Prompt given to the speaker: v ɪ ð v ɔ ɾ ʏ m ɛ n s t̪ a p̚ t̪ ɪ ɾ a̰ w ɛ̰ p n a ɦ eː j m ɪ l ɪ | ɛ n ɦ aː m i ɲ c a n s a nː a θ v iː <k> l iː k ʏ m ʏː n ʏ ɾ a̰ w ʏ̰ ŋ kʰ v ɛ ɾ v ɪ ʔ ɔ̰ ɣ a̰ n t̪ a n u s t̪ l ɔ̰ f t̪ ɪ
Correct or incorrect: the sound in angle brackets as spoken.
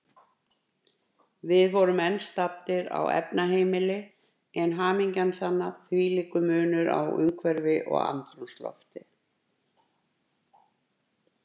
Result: incorrect: none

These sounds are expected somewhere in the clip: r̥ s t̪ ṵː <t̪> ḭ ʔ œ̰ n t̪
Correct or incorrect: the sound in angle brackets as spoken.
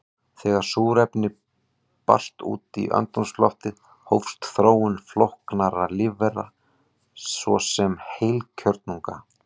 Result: correct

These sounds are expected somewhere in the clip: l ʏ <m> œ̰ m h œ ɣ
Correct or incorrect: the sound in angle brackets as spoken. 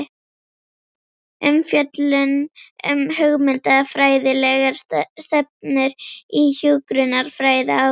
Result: incorrect: n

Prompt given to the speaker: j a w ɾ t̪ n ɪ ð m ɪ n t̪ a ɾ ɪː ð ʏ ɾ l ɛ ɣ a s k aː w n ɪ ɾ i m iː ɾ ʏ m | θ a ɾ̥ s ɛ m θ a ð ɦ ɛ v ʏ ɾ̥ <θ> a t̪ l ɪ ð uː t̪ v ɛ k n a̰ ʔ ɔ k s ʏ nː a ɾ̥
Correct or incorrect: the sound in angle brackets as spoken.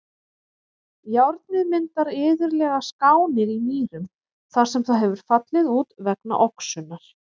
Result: incorrect: f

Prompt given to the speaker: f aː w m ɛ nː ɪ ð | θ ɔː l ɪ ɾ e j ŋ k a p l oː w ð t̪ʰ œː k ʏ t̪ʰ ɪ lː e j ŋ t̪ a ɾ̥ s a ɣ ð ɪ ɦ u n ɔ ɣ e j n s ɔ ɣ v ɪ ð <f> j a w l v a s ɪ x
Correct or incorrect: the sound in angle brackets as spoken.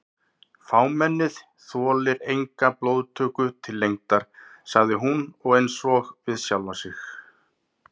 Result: incorrect: s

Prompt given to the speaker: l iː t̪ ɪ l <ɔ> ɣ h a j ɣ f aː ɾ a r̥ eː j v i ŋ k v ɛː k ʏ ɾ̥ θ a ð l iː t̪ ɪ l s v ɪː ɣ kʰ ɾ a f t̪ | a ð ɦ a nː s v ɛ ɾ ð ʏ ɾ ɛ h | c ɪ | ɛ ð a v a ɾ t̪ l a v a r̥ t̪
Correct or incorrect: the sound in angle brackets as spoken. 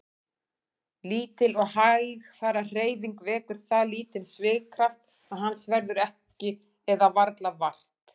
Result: correct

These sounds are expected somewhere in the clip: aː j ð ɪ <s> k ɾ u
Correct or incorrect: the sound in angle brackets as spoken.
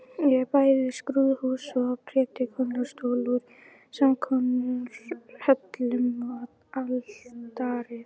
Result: correct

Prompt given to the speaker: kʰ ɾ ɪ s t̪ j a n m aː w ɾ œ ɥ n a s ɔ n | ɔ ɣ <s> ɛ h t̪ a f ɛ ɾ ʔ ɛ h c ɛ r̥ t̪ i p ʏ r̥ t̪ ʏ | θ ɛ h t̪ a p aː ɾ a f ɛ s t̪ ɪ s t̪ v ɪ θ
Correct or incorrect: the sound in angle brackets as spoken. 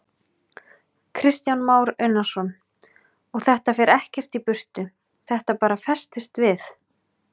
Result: incorrect: θ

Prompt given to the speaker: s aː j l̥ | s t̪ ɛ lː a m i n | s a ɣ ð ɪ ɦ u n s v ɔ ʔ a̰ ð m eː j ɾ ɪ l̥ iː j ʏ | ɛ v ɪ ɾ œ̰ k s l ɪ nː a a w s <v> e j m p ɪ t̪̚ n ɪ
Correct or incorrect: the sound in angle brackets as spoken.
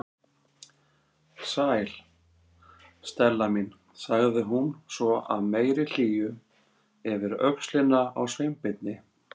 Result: correct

